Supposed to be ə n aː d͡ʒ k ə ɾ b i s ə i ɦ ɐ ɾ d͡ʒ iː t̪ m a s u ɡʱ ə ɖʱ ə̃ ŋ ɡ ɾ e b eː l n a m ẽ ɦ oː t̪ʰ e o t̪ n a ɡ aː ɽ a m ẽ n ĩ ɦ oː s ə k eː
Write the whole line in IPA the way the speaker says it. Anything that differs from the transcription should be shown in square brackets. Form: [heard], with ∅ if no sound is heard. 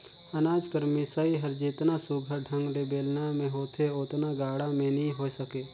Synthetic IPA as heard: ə n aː d͡ʒ k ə ɾ [m] i s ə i ɦ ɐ ɾ d͡ʒ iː t̪ [n] a s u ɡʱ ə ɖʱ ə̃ ŋ ɡ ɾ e b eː l n a m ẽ ɦ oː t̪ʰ e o t̪ n a ɡ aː ɽ a m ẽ n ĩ ɦ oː s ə k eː